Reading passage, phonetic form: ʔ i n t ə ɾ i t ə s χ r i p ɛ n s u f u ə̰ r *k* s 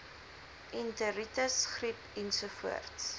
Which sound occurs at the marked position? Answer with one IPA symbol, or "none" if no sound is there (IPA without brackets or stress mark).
t